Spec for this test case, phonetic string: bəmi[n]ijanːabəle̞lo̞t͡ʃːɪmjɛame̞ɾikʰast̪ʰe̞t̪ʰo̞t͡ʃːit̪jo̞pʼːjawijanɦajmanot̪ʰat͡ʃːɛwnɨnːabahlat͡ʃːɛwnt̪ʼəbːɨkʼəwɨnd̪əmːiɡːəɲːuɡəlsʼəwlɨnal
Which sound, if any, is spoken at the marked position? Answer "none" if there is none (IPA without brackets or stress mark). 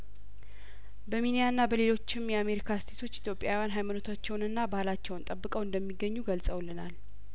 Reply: n